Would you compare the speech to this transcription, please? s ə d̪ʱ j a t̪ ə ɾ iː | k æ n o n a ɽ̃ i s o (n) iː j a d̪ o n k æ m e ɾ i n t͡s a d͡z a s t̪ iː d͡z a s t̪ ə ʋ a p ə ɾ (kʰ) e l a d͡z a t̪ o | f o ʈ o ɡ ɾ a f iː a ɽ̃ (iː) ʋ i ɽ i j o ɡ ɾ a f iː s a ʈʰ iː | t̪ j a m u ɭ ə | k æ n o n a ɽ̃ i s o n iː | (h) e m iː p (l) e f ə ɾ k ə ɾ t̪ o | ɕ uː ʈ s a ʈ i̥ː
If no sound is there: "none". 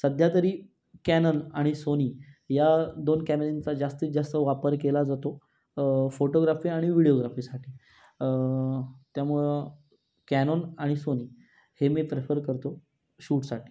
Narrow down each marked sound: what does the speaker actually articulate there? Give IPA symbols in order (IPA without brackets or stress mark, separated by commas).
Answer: n, k, i, h, ɾ